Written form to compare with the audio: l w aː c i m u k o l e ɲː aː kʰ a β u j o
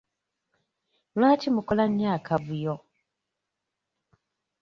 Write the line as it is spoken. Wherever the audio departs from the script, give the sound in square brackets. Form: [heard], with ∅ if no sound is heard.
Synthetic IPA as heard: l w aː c i m u k o l [a] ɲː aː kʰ a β u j o

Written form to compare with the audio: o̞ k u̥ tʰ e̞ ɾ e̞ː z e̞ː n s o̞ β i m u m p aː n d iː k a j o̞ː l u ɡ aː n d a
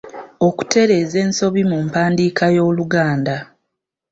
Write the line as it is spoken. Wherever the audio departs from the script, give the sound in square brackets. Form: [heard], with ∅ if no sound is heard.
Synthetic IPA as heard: o̞ k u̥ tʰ e̞ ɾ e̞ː z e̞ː n s o̞ β i m u m p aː n d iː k a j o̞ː l u ɡ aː n d a

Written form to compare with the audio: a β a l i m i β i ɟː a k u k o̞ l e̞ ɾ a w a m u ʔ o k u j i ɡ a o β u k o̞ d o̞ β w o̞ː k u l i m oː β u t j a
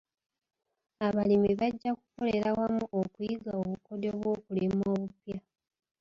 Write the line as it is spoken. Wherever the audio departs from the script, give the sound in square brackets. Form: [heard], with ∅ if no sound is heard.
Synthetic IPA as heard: a β a l i m i β [a] ɟː a k u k o̞ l e̞ ɾ a w a m u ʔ o k u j i ɡ a o β u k o̞ d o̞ β w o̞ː k u l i m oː β u [p] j a

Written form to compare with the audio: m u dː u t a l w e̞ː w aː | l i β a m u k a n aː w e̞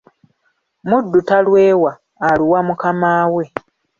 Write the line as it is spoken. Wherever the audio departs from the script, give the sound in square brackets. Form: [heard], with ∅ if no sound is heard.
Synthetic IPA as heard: m u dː u t a l w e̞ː w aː | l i [w] a m u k a [m] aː w e̞

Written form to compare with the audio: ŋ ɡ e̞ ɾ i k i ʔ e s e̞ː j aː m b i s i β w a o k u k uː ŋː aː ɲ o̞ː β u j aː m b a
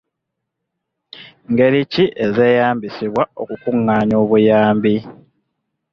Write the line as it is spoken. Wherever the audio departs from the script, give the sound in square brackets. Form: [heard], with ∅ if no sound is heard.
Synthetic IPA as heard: ŋ ɡ e̞ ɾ i [c] i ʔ e [z] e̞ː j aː m b i s i β w a o k u k [u] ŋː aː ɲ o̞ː β u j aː m b [i]

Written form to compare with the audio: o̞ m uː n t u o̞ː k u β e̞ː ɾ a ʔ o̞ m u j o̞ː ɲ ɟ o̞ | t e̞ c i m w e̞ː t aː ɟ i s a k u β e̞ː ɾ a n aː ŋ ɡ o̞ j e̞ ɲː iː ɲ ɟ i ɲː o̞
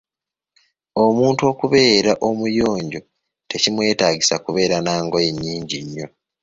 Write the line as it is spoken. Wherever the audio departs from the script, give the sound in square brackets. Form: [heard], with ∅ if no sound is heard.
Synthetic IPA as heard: o̞ m uː n t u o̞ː k u β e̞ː ɾ a ʔ o̞ m u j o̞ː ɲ ɟ o̞ | t e̞ c i m w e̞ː t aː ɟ i s a k u β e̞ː ɾ a n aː ŋ ɡ o̞ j e̞ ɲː iː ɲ ɟ i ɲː o̞

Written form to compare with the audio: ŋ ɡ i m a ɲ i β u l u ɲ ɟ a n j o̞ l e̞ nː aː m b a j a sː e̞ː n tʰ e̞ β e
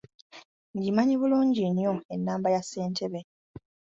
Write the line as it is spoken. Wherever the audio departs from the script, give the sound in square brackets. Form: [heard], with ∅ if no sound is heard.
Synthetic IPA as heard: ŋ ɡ i m a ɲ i β u l [uː] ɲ ɟ [i] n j o̞ [∅] e̞ nː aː m b a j a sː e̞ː n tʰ e̞ β e

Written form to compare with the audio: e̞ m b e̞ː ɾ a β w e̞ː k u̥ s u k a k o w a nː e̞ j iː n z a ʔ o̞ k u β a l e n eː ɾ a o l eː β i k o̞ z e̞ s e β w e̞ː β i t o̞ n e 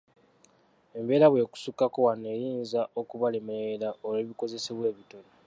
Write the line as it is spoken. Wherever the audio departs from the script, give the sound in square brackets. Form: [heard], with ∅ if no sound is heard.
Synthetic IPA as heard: e̞ m b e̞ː ɾ a β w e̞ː k u̥ s u k a k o w a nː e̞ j iː n z a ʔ o̞ k u β a l e [m] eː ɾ a o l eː β i k o̞ z e̞ s e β w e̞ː β i t o̞ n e

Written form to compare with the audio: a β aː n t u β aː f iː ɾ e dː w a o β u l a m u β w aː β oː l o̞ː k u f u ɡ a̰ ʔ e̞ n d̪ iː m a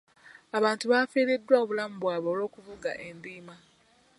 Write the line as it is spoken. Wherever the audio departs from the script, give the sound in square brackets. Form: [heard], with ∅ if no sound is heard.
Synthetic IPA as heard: a β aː n t u β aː f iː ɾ e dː w a o β u l a m u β w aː β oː l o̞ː k u [v] u ɡ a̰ ʔ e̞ n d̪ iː m a

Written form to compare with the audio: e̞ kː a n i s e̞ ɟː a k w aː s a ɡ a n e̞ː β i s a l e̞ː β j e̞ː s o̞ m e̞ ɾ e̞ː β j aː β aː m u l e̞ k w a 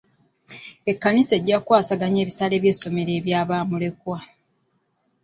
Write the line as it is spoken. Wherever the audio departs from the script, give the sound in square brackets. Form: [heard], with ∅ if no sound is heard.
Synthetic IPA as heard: e̞ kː a n i s e̞ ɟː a k w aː s a ɡ a [ɲ] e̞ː β i s a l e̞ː β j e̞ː s o̞ m e̞ ɾ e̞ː β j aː β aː m u l e̞ k w a

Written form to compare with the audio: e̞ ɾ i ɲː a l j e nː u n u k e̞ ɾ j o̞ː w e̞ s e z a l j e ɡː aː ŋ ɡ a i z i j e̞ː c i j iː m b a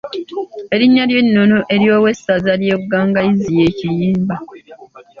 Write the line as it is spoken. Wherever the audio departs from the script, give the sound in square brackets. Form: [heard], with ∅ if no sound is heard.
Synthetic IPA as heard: e̞ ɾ i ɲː a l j e nː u n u [ʔ] e̞ ɾ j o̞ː w e̞ s [a] z a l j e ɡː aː ŋ ɡ a i z i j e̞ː c i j iː m b a

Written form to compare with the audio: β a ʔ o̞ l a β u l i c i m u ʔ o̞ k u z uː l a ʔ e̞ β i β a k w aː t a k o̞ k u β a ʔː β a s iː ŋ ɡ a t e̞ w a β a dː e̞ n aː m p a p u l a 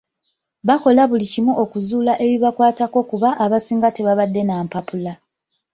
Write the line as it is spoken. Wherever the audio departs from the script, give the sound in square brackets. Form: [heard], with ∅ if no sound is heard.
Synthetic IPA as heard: β a [k] o̞ l a β u l i c i m u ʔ o̞ k u z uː l a ʔ e̞ β i β a k w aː t a k o̞ k u β a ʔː β a s iː ŋ ɡ a t e̞ [β] a β a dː e̞ n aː m p a p u l a

